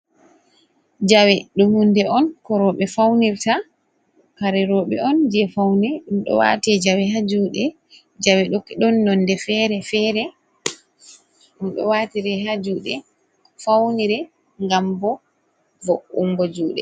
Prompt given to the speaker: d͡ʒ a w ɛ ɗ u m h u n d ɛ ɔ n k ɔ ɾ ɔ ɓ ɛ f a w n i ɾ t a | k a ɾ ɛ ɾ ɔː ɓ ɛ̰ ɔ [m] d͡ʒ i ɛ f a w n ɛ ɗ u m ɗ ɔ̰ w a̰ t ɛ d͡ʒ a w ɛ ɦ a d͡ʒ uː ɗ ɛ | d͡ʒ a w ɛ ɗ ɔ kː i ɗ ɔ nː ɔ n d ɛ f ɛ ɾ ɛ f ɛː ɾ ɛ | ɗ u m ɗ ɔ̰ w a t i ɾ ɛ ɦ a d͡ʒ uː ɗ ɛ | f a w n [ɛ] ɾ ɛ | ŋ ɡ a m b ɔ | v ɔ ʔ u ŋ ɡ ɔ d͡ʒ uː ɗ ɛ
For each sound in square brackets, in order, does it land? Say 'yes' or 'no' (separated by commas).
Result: no, no